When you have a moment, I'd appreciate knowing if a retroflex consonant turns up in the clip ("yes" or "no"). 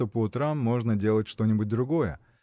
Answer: yes